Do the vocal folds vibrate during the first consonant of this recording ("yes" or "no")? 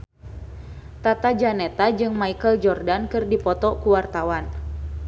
no